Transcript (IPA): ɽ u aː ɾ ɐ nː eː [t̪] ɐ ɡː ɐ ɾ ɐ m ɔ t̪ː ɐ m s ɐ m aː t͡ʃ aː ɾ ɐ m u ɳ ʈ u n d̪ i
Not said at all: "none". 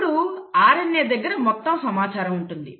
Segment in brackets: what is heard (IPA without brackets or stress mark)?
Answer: d̪